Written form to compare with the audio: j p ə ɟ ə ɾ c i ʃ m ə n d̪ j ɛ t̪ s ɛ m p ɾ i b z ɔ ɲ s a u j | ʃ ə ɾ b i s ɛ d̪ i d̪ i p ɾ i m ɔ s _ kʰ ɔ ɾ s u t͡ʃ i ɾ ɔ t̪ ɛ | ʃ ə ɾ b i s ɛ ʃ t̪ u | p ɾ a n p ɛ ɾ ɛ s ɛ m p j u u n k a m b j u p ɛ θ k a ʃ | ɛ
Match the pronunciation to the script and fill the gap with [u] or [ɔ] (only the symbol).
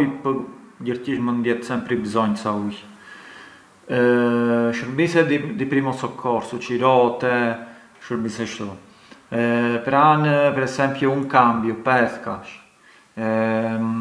ɔ